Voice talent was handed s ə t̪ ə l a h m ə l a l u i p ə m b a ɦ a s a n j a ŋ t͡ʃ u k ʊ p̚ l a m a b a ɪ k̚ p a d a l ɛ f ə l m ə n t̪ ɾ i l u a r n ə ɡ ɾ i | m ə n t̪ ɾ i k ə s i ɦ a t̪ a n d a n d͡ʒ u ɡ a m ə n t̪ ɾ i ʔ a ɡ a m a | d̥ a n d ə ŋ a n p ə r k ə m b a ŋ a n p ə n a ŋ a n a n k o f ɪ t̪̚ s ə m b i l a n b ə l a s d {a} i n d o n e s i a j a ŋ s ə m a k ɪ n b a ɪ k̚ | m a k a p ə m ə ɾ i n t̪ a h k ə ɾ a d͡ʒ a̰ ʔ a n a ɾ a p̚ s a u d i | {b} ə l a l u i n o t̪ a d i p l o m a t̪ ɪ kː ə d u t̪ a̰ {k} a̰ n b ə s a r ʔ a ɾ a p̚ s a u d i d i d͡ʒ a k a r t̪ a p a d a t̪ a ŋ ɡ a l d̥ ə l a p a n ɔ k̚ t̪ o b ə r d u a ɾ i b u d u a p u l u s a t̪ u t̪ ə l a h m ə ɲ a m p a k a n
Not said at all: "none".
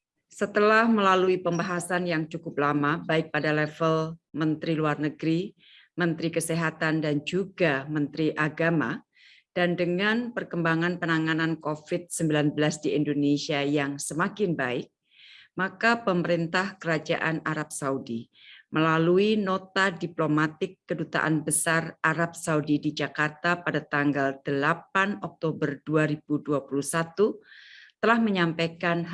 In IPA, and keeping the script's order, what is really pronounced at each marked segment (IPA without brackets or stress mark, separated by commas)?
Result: i, m, ʔ